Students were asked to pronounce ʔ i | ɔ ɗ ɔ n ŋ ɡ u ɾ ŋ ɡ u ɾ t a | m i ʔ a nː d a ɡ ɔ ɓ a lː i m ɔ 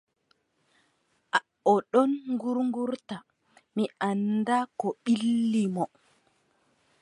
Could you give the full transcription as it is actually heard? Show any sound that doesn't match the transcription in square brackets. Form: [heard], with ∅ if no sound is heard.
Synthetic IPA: ʔ [a] | ɔ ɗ ɔ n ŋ ɡ u ɾ ŋ ɡ u ɾ t a | m i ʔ a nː d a [k] ɔ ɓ [i] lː i m ɔ

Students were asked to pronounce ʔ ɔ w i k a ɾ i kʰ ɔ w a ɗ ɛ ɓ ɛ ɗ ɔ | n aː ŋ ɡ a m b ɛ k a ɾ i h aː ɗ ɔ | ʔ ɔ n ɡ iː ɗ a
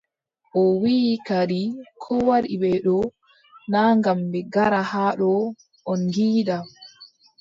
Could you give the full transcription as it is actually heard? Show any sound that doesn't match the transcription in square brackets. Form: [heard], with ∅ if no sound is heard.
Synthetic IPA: ʔ ɔ w i k a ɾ i kʰ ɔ w a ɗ [i] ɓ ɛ ɗ ɔ | n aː ŋ ɡ a m b ɛ [ɡ] a ɾ [a] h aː ɗ ɔ | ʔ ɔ n ɡ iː ɗ a

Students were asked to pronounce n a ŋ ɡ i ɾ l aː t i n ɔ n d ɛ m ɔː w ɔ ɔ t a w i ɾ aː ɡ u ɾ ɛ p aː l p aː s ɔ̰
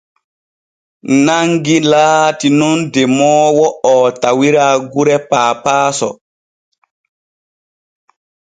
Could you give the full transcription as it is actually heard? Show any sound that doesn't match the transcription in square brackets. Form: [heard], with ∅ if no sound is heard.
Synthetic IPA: n a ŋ ɡ i [∅] l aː t i n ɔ n d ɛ m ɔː w ɔ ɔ t a w i ɾ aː ɡ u ɾ ɛ p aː [∅] p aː s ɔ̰

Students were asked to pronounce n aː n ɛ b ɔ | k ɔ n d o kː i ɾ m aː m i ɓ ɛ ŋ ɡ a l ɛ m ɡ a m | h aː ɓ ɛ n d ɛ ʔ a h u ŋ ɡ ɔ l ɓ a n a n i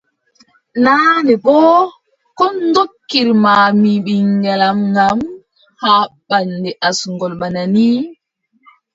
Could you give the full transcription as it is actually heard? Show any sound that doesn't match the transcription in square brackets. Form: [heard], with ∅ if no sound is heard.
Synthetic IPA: n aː n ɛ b ɔ | k ɔ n d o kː i ɾ m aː m i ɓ [i] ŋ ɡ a l [a] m ɡ a m | h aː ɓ [a] n d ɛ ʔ a [s] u ŋ ɡ ɔ l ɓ a n a n i

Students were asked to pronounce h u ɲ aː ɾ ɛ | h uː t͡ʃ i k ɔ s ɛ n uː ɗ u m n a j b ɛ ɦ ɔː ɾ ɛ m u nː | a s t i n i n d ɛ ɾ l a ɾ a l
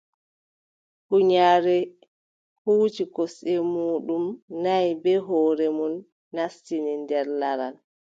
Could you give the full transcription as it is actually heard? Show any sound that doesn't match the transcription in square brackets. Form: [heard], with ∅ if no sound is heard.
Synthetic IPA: h u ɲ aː ɾ ɛ | h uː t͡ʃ i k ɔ s ɛ [m] uː ɗ u m n a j b ɛ ɦ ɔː ɾ ɛ m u nː | a s t i n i n d ɛ ɾ l a ɾ a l

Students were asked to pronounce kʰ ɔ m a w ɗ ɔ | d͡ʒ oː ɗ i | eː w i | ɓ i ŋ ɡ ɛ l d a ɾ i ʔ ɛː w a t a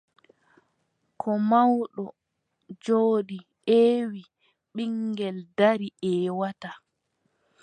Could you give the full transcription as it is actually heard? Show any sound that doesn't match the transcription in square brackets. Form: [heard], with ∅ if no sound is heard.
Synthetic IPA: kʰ ɔ m a w ɗ ɔ | d͡ʒ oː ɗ i | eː w i | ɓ i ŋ ɡ ɛ l d a ɾ i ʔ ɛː w a t a

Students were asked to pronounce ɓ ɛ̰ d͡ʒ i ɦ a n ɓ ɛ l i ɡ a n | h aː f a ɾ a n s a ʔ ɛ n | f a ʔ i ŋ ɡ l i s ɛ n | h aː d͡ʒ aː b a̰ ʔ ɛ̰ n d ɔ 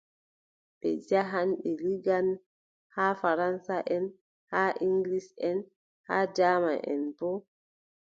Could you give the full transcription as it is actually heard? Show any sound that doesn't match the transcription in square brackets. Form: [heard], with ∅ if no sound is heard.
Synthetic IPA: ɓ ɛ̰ d͡ʒ [a] ɦ a n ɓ ɛ l i ɡ a n | h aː f a ɾ a n s a ʔ ɛ n | [h] a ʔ i ŋ ɡ l i s ɛ n | h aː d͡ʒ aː [m] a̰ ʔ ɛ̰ n [b] ɔ

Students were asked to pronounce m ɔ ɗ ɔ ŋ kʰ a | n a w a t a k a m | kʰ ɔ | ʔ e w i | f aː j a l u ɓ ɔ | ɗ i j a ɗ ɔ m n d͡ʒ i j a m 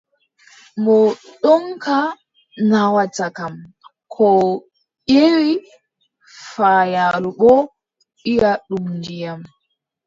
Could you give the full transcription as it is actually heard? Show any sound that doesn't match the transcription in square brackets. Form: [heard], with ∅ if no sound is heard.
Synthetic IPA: m ɔ ɗ ɔ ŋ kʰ a | n a w a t a k a m | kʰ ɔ | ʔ e w i | f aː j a l u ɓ ɔ | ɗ i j a ɗ [u] m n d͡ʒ i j a m

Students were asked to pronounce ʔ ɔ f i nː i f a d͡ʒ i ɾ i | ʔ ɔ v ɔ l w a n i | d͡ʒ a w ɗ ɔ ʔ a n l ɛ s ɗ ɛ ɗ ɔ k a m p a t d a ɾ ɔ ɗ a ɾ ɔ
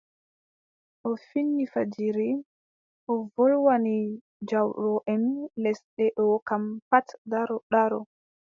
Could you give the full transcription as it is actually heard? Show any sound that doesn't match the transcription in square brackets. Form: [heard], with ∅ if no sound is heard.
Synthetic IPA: ʔ ɔ f i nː i f a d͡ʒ i ɾ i | ʔ ɔ v ɔ l w a n i | d͡ʒ a w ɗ ɔ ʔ [ɛ] n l ɛ s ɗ ɛ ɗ ɔ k a m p a t d a ɾ ɔ ɗ a ɾ ɔ

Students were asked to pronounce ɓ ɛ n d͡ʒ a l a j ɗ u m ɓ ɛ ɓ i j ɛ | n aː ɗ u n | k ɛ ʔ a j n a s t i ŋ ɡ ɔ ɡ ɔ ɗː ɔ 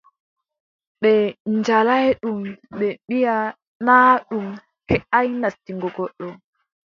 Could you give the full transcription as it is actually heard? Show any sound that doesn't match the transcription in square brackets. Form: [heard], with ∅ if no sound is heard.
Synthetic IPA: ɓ ɛ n d͡ʒ a l a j ɗ u m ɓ ɛ ɓ i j [a] | n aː ɗ u [m] | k ɛ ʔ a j n a s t i ŋ ɡ ɔ ɡ ɔ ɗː ɔ

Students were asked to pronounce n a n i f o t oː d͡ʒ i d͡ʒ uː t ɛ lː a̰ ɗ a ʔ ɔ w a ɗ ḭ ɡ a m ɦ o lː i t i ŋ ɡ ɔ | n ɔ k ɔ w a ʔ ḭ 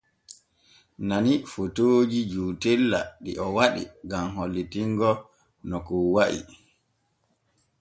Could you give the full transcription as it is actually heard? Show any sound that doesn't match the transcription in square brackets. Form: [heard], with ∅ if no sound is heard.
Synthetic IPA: n a n i f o t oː d͡ʒ i d͡ʒ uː t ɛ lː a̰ ɗ [i] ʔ ɔ w a ɗ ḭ ɡ a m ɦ o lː i t i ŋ ɡ ɔ | n ɔ k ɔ w a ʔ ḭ

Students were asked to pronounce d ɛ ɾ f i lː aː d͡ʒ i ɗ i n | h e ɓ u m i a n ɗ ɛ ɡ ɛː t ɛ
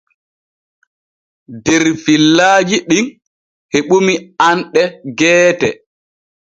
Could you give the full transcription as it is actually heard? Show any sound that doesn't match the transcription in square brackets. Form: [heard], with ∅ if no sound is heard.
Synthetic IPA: d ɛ ɾ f i lː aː d͡ʒ i ɗ i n | h e ɓ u m i a n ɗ ɛ ɡ ɛː t ɛ

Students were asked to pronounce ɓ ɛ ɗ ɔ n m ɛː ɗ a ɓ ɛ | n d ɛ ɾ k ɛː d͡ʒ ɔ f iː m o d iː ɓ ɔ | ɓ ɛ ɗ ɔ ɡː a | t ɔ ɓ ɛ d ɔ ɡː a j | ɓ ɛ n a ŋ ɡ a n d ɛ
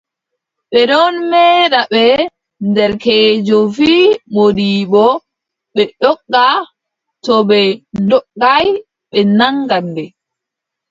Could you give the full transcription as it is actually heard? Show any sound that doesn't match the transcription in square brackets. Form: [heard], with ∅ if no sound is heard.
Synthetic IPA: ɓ ɛ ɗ ɔ n m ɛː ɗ a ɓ ɛ | n d ɛ ɾ k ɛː d͡ʒ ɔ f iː m o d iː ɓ ɔ | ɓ ɛ ɗ ɔ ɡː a | t ɔ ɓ ɛ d ɔ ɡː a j | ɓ ɛ n a ŋ ɡ a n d ɛ

